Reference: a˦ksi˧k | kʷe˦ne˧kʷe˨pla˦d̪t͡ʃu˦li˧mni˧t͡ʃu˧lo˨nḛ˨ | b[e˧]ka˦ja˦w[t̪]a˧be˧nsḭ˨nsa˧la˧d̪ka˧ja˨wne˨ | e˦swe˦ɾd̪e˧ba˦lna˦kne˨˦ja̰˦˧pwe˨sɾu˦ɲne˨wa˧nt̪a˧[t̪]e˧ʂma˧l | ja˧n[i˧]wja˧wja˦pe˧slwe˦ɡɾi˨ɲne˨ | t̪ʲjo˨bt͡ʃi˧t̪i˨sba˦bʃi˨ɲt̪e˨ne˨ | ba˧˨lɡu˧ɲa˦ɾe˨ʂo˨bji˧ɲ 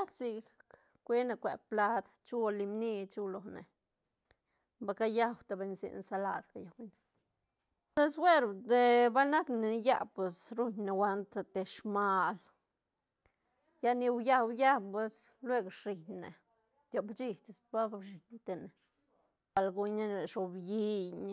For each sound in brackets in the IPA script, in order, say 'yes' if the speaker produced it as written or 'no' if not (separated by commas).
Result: no, yes, yes, yes